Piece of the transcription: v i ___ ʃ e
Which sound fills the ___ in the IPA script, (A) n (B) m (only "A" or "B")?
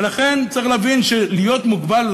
A